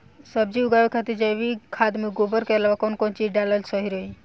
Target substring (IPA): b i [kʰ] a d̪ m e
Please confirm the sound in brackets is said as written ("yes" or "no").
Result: yes